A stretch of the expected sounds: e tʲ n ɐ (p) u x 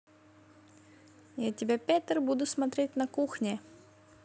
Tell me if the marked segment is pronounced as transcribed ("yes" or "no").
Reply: no